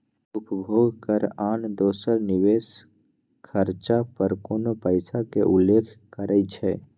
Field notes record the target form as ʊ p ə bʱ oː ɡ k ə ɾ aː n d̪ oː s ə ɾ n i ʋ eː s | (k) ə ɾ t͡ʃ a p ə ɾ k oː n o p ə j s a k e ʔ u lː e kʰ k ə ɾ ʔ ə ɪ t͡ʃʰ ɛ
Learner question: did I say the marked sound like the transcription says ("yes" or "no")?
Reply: no